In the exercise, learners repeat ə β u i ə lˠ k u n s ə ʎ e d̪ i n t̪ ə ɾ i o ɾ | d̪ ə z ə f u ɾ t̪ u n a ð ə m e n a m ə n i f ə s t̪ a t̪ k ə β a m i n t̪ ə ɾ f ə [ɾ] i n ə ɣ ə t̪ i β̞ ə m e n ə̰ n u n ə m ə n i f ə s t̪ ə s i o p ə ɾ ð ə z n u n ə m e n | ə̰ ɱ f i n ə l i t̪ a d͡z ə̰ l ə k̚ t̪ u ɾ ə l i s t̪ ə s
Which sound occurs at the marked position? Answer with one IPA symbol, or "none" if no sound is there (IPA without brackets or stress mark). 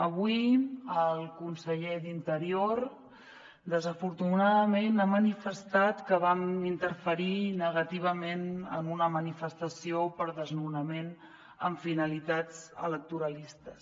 ɾ